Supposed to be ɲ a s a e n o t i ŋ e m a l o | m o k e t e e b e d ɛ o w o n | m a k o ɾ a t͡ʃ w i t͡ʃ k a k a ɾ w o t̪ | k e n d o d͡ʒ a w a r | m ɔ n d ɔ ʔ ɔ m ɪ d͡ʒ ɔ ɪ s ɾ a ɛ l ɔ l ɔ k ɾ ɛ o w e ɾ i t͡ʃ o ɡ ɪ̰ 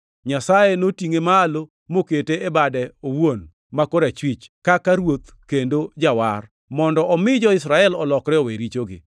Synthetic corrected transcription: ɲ a s a e n o t i ŋ e m a l o | m o k e t e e b a d ɛ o w o n | m a k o ɾ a t͡ʃ w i t͡ʃ k a k a ɾ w o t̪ | k e n d o d͡ʒ a w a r | m ɔ n d ɔ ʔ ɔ m ɪ d͡ʒ ɔ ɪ s ɾ a ɛ l ɔ l ɔ k ɾ ɛ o w e ɾ i t͡ʃ o ɡ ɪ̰

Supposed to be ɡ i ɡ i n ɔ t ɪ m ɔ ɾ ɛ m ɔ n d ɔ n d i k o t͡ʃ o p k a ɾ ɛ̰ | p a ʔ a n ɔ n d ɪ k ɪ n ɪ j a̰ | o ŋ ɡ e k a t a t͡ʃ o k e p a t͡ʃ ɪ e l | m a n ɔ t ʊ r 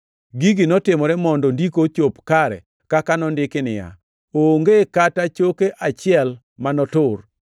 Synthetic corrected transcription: ɡ i ɡ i n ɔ t ɪ m ɔ ɾ ɛ m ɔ n d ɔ n d i k o t͡ʃ o p k a ɾ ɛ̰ | k a k a n ɔ n d ɪ k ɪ n ɪ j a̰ | o ŋ ɡ e k a t a t͡ʃ o k e ʔ a t͡ʃ ɪ ɛ l | m a n ɔ t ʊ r

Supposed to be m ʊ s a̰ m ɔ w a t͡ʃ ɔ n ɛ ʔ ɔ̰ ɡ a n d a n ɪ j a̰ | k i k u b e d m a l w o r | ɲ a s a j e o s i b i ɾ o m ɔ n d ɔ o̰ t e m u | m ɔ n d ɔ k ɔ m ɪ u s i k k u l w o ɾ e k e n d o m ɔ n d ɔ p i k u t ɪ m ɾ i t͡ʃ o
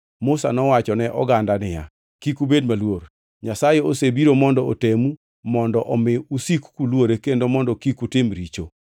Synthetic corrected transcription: m ʊ s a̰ n ɔ w a t͡ʃ ɔ n ɛ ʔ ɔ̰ ɡ a n d a n ɪ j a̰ | k i k u b e d m a l w o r | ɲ a s a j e o s e b i ɾ o m ɔ n d ɔ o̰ t e m u | m ɔ n d ɔ ʔ ɔ m ɪ u s i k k u l w o ɾ e k e n d o m ɔ n d ɔ k i k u t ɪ m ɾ i t͡ʃ o

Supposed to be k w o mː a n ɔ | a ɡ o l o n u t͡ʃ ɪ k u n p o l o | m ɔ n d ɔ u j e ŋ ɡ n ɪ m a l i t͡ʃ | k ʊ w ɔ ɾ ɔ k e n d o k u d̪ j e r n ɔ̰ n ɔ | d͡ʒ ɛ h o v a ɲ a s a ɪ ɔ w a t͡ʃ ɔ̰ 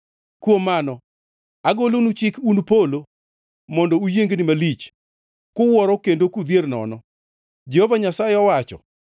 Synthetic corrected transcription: k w o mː a n ɔ | a ɡ o l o n u t͡ʃ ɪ k u n p o l o | m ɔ n d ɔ u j e ŋ ɡ n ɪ m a l i t͡ʃ | k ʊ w ɔ ɾ ɔ k e n d o k u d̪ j e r n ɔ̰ n ɔ | d͡ʒ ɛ h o v a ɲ a s a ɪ ɔ w a t͡ʃ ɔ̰

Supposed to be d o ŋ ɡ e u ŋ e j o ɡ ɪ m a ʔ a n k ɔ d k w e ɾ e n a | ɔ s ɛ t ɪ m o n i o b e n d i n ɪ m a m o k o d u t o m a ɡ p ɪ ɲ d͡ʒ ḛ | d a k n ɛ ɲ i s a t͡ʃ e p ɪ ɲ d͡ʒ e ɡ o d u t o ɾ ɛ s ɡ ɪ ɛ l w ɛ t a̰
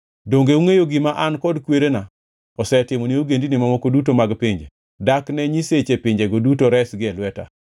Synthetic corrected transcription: d o ŋ ɡ e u ŋ e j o ɡ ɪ m a ʔ a n k ɔ d k w e ɾ e n a | ɔ s ɛ t ɪ m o n i o ɡ e n d i n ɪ m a m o k o d u t o m a ɡ p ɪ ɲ d͡ʒ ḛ | d a k n ɛ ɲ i s e t͡ʃ e p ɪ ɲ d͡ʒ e ɡ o d u t o ɾ ɛ s ɡ ɪ ɛ l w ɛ t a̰

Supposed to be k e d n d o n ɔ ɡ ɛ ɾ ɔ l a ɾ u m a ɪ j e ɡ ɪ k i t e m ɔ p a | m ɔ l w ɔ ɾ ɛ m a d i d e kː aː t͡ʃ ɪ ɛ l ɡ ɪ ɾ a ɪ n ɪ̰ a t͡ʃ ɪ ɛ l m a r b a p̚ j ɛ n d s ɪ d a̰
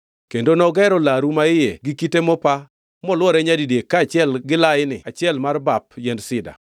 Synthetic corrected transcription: k e n d o n ɔ ɡ ɛ ɾ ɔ l a ɾ u m a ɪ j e ɡ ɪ k i t e m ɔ p a | m ɔ l w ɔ ɾ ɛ ɲ a d i d e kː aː t͡ʃ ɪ ɛ l ɡ ɪ l a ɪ n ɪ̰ a t͡ʃ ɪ ɛ l m a r b a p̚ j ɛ n d s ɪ d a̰

